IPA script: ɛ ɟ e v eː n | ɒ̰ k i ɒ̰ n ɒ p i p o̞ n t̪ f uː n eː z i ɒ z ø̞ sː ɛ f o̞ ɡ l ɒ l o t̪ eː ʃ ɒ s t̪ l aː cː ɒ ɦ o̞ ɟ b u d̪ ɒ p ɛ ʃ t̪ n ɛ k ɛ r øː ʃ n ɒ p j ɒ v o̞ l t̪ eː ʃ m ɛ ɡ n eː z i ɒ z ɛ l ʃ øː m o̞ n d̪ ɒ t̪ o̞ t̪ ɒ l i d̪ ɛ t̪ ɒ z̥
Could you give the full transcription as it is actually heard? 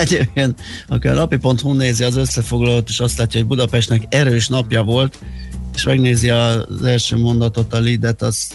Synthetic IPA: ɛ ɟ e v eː n | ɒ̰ k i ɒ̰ n ɒ p i p o̞ n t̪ h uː n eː z i ɒ z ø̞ sː ɛ f o̞ ɡ l ɒ l o t̪ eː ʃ ɒ s t̪ l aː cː ɒ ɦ o̞ ɟ b u d̪ ɒ p ɛ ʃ t̪ n ɛ k ɛ ɾ øː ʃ n ɒ p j ɒ v o̞ l t̪ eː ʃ m ɛ ɡ n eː z i ɒ z ɛ l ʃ øː m o̞ n d̪ ɒ t̪ o̞ t̪ ɒ l i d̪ ɛ t̪ ɒ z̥